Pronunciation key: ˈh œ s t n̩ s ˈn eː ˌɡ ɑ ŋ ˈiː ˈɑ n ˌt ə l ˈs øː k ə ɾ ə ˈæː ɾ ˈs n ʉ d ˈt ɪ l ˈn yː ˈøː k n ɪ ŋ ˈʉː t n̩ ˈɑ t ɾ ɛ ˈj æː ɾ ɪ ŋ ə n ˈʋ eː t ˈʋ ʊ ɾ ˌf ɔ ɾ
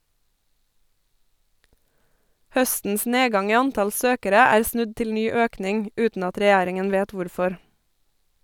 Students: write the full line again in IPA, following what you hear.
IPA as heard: ˈh œ s t n̩ s ˈn eː ˌɡ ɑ ŋ ˈiː ˈɑ n ˌt ɑ l ˈs øː k ə ɾ ə ˈæː ɾ ˈs n ʉ d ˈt ɪ l ˈn yː ˈøː k n ɪ ŋ ˈʉː t n̩ ˈɑ t ɾ ɛ ˈj æː ɾ ɪ ŋ ə n ˈʋ eː t ˈʋ ʊ ɾ ˌf ɔ ɾ